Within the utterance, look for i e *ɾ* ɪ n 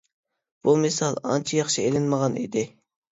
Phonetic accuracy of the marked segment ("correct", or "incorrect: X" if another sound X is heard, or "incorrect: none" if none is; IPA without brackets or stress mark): incorrect: l